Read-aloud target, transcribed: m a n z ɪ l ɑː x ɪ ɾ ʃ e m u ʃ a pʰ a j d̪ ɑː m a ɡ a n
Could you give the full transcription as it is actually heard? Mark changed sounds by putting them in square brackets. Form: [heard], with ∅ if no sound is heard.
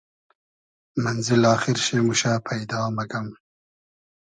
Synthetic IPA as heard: m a n z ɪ l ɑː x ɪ ɾ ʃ e m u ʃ a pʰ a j d̪ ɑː m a ɡ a [m]